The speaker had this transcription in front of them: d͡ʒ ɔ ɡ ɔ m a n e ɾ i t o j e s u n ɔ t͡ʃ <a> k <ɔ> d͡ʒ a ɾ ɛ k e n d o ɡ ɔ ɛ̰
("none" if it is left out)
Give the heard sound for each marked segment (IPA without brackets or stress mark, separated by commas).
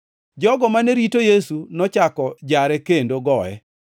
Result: a, ɔ